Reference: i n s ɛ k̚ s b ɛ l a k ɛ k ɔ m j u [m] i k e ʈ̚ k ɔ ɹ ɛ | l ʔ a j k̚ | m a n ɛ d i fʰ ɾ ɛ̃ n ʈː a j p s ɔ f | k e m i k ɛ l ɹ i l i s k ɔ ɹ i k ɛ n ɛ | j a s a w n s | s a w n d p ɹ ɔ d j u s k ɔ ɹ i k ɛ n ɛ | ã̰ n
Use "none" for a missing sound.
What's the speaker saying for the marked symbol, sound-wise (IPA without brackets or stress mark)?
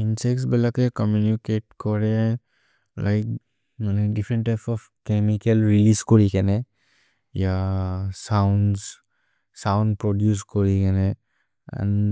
n